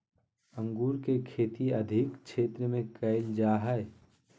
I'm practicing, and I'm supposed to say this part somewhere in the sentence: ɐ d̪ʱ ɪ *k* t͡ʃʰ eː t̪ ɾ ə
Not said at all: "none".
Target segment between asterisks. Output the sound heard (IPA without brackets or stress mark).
k